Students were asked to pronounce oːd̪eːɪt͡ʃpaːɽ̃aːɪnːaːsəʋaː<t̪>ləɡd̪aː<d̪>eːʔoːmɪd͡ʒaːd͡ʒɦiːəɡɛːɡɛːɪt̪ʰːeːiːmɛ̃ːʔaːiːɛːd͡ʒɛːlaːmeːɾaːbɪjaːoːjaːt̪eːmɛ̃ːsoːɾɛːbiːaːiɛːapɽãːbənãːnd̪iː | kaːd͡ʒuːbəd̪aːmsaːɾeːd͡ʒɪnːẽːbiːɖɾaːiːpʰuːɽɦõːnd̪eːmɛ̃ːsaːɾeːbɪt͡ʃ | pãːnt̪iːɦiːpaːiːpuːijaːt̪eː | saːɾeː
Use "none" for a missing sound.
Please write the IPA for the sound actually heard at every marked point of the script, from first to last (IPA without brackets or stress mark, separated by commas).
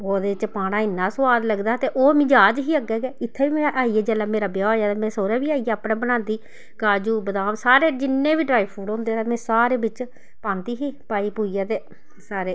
d̪, t̪